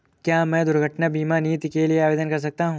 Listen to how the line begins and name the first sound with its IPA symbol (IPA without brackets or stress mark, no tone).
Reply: k